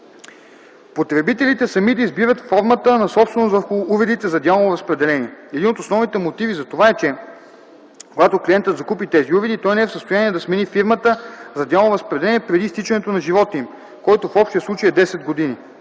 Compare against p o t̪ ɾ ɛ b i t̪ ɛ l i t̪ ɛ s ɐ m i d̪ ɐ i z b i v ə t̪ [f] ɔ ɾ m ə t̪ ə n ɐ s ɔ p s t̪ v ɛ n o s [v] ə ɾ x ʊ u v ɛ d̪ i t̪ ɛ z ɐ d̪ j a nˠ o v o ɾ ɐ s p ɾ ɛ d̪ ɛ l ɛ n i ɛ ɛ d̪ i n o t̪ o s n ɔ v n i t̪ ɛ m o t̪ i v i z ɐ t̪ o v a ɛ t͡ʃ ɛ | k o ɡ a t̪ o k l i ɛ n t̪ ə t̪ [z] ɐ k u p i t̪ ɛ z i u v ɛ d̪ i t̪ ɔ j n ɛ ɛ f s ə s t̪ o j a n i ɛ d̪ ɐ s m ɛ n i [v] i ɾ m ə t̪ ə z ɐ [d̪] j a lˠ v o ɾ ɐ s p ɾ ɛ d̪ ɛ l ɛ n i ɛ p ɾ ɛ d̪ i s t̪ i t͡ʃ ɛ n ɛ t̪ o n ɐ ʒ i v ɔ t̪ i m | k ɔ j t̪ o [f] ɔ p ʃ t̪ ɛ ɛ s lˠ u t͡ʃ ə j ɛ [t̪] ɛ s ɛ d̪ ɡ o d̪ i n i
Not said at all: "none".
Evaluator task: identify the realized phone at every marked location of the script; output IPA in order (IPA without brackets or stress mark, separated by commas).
f, v, z, f, d̪, f, d̪